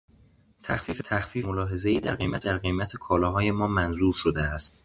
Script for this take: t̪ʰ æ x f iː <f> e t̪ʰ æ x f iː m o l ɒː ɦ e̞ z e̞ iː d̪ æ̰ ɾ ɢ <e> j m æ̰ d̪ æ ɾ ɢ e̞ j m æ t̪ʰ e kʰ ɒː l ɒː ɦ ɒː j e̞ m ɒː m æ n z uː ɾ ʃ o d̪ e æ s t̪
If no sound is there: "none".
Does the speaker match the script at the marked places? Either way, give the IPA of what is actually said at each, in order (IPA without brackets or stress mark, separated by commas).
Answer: f, e